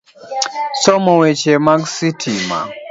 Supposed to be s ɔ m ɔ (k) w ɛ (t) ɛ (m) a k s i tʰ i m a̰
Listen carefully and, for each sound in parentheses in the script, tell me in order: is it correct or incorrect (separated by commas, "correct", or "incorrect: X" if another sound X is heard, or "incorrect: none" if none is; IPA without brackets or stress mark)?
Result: incorrect: none, incorrect: t͡ʃ, correct